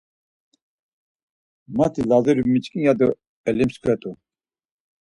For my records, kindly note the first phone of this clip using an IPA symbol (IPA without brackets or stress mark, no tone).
m